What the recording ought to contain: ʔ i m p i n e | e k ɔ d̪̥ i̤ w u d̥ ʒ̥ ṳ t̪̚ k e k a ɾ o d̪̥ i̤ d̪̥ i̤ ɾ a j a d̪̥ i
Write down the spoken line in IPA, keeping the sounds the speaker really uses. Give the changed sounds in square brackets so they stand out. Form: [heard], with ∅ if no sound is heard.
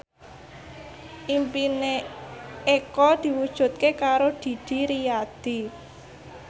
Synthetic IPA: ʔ i m p i n e | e k ɔ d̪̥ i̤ w u d̥ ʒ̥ ṳ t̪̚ k e k a ɾ o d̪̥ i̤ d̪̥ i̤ ɾ [i] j a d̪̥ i